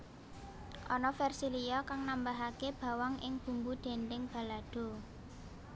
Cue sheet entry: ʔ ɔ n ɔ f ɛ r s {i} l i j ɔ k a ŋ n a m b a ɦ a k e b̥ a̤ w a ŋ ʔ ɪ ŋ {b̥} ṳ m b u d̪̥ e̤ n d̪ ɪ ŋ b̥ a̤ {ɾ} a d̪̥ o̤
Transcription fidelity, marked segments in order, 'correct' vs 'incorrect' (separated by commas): correct, correct, incorrect